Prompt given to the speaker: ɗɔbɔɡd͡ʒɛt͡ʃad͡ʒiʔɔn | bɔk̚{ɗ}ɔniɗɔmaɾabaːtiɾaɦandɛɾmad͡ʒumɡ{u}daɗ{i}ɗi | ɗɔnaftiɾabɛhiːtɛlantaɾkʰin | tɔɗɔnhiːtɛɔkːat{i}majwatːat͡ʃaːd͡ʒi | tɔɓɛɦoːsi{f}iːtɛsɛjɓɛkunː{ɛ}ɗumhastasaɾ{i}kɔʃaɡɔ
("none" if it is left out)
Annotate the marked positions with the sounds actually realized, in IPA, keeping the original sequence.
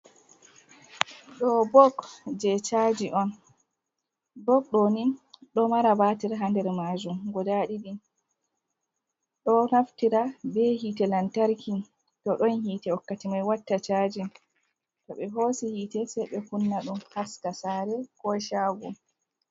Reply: ɗ, ɔ, i, i, h, a, ɛ

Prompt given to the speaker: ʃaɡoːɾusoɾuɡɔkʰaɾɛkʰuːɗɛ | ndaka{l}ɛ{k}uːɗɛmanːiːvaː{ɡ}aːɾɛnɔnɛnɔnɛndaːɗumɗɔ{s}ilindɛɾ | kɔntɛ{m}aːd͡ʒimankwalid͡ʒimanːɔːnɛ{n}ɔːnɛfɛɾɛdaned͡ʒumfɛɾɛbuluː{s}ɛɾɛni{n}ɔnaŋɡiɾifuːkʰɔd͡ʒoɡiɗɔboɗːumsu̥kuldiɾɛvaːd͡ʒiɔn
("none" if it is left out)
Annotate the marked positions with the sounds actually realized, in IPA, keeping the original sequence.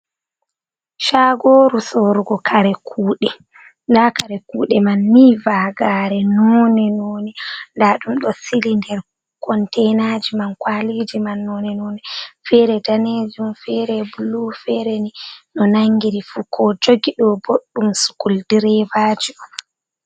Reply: ɾ, k, ɡ, s, n, n, f, n

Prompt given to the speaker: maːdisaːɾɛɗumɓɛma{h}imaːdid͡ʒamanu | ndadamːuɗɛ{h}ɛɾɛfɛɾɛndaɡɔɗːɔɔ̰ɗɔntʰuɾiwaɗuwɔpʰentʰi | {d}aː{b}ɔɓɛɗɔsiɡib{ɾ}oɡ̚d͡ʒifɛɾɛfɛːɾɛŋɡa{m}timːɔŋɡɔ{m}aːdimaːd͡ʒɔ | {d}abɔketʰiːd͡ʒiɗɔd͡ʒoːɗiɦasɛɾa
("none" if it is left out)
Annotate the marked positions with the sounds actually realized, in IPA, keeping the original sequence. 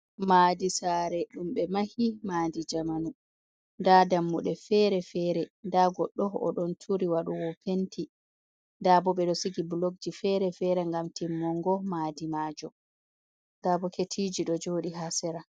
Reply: h, f, d, b, l, m, m, d

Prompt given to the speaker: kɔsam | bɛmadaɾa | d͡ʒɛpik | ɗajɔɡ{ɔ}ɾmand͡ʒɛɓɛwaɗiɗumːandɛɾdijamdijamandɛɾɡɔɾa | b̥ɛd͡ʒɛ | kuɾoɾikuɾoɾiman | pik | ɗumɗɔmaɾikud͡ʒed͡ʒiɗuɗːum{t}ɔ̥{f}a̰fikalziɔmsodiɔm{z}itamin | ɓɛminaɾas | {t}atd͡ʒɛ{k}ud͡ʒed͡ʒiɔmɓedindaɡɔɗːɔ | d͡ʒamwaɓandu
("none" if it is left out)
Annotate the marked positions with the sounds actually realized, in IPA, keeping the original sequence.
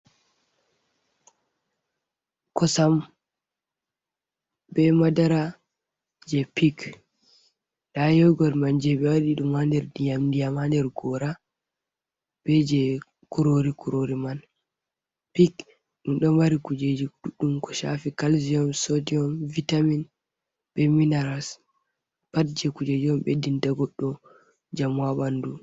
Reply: ɔ, k, ʃ, v, p, k

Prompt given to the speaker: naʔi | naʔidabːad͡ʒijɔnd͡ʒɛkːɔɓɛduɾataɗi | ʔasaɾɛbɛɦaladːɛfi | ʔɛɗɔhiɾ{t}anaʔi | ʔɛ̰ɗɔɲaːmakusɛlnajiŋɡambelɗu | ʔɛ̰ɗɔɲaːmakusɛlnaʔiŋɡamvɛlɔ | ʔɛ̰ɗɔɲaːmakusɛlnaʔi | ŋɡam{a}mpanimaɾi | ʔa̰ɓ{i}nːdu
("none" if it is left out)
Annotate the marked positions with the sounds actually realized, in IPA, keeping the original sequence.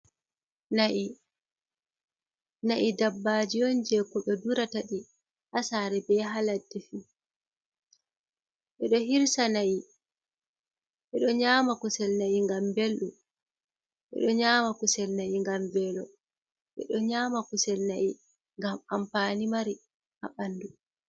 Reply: s, a, a

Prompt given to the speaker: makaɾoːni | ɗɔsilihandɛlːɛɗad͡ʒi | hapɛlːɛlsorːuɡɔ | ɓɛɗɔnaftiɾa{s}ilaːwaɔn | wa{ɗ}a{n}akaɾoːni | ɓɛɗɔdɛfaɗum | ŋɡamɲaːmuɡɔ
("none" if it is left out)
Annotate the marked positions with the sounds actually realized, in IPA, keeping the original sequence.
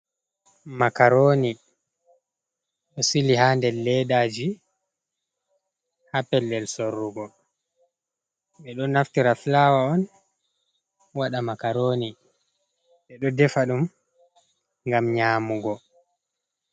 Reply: f, ɗ, m

